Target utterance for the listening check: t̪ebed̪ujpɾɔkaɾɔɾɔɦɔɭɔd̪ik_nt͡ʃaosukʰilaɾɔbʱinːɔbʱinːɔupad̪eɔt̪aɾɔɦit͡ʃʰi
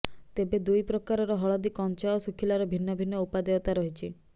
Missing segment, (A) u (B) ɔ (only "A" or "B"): B